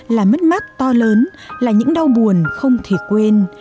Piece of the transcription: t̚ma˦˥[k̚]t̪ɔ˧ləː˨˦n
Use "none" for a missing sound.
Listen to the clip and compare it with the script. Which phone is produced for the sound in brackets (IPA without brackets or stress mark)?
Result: t̚